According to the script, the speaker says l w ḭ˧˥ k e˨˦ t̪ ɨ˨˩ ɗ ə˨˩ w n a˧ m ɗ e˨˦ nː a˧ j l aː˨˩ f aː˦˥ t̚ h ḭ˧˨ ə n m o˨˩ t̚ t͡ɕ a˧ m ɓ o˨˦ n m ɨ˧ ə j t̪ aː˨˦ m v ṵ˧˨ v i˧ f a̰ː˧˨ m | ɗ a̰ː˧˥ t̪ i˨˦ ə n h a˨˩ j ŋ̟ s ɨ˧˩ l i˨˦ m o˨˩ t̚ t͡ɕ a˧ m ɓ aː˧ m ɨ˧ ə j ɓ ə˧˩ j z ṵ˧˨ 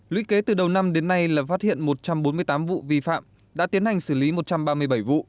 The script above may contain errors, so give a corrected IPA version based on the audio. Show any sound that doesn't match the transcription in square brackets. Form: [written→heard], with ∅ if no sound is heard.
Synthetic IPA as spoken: l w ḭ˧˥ k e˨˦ t̪ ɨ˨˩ ɗ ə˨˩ w n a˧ m ɗ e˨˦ nː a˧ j l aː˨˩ f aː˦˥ t̚ h ḭ˧˨ ə n m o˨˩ t̚ t͡ɕ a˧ m ɓ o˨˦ n m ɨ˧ ə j t̪ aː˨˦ m v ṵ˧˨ v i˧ f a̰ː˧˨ m | ɗ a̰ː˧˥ t̪ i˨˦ ə n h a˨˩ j ŋ̟ s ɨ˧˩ l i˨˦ m o˨˩ t̚ t͡ɕ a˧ m ɓ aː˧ m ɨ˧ ə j ɓ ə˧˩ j [z→v] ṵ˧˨